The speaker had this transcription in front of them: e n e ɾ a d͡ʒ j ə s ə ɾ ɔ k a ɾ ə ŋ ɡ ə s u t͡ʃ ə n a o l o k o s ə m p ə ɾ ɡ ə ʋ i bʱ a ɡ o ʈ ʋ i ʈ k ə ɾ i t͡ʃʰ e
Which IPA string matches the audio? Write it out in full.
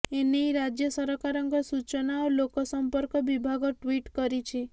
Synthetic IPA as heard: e n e ɾ a d͡ʒ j ə s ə ɾ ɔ k a ɾ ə ŋ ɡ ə s u t͡ʃ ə n a o l o k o s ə m p ə ɾ k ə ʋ i bʱ a ɡ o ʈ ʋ i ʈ k ə ɾ i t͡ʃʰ e